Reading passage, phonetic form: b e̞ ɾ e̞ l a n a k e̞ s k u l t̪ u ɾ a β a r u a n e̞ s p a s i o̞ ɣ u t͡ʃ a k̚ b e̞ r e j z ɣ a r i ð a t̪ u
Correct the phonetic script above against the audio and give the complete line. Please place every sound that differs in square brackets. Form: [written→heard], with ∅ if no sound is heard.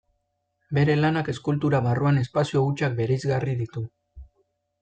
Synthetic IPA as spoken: b e̞ ɾ e̞ l a n a k e̞ s k u l t̪ u ɾ a β a r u a n e̞ s p a s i o̞ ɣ u t͡ʃ a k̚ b e̞ [r→ɾ] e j z ɣ a r i ð [a→i] t̪ u